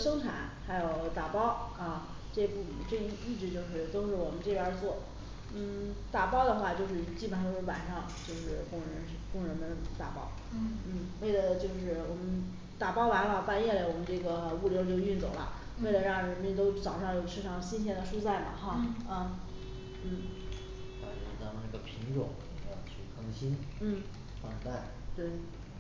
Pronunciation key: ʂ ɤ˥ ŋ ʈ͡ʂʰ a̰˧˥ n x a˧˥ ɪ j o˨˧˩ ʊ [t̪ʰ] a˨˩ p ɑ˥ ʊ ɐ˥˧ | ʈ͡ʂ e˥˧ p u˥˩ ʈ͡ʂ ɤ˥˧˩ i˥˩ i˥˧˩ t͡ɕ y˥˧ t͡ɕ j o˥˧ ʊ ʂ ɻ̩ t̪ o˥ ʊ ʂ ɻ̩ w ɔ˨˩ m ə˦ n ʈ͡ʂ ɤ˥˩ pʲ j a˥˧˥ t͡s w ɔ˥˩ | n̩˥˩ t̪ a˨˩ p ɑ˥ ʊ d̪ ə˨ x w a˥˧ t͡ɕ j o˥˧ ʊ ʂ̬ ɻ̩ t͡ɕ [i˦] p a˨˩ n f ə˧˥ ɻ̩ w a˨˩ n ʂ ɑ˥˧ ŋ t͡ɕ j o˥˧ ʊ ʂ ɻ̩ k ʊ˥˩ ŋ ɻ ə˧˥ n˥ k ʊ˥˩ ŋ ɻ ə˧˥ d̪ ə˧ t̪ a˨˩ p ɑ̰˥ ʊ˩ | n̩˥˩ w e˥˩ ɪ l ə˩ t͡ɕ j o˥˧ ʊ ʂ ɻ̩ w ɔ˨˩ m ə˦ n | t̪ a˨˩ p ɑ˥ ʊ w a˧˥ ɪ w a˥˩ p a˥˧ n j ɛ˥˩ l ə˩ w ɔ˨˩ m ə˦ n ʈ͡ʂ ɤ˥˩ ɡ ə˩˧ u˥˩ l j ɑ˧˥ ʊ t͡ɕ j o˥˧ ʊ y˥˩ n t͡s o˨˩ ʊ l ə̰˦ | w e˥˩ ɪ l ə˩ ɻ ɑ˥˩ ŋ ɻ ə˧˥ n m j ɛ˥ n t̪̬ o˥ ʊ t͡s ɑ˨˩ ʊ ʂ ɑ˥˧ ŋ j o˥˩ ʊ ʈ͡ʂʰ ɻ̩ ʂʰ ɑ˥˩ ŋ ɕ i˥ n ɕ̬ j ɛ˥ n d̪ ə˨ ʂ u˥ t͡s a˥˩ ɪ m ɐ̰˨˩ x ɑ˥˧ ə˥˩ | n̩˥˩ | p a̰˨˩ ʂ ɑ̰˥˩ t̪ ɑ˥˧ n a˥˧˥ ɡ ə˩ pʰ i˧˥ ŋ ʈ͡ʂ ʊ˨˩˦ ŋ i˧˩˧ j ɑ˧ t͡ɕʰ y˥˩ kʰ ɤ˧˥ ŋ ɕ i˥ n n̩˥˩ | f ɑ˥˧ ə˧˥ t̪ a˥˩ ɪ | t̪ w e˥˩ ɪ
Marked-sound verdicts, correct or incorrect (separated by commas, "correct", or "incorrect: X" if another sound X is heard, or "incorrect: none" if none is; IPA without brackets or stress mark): incorrect: t̪, incorrect: i˥˩